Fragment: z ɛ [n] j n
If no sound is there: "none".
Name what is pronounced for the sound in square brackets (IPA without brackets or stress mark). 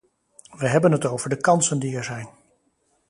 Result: none